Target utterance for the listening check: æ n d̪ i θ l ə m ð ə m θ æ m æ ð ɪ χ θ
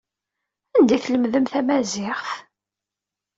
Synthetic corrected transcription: æ n d̪ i θ l ə m ð ə m θ æ m æ z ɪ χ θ